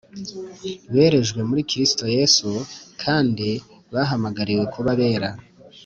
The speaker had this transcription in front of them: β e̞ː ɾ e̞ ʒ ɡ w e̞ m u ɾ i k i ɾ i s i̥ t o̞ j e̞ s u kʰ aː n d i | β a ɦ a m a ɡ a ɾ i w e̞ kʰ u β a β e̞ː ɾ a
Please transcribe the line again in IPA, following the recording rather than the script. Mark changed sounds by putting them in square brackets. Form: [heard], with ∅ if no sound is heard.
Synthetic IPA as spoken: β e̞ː ɾ e̞ ʒ ɡ w e̞ m u ɾ i k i ɾ i s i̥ t o̞ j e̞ s u kʰ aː n d i | β a ɦ a m a ɡ a ɾ i w e̞ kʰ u β a β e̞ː ɾ a